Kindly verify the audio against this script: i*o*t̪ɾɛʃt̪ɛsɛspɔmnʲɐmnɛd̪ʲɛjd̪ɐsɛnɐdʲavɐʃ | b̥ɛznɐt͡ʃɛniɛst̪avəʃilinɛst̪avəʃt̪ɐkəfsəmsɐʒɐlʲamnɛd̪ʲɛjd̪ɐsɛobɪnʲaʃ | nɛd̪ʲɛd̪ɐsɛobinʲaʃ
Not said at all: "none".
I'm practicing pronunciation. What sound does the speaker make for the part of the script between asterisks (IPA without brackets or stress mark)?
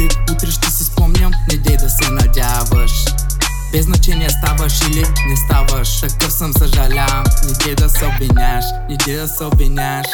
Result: u